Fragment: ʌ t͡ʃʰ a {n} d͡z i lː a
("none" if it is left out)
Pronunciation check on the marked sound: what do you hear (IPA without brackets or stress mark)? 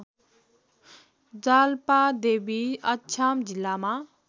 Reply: m